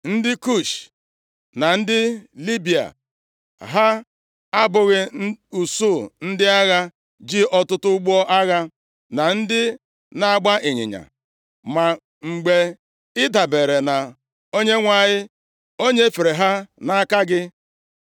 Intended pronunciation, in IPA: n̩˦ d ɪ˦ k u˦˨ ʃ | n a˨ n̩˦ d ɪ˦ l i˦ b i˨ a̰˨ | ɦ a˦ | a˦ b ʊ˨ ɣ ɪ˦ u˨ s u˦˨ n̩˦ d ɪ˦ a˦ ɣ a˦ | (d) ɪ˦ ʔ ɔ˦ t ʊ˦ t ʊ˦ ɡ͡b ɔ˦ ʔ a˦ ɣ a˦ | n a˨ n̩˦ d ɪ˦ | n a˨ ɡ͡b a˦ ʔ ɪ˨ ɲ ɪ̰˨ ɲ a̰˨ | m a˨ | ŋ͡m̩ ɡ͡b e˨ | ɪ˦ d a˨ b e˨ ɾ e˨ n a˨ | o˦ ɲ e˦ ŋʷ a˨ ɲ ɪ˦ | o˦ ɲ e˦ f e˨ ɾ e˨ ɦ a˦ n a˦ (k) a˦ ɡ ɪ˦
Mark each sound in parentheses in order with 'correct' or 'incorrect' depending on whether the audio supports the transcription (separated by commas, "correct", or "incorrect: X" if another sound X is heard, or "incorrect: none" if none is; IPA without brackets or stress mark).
incorrect: d͡ʒ, correct